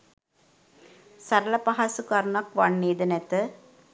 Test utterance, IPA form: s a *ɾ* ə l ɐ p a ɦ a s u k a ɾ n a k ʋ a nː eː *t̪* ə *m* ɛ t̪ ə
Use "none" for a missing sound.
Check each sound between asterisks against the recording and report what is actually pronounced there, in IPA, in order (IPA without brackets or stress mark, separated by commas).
ɾ, d̪, n